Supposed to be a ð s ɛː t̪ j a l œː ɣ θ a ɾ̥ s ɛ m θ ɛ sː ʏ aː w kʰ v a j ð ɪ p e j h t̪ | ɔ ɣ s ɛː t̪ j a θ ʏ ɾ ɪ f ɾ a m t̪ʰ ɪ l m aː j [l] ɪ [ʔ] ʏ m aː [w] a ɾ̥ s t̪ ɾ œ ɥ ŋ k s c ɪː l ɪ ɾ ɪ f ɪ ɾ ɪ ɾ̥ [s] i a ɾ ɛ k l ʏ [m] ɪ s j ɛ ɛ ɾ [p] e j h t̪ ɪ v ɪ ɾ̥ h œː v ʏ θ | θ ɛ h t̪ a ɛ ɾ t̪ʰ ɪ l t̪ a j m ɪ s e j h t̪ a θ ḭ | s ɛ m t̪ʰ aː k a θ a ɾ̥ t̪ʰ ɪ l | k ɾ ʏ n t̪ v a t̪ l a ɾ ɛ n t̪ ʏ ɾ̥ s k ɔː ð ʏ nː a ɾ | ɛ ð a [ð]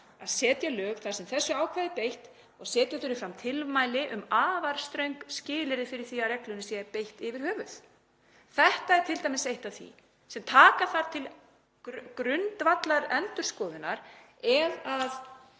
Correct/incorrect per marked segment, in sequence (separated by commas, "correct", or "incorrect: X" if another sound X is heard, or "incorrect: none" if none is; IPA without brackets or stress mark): correct, correct, incorrect: v, incorrect: θ, incorrect: n, correct, correct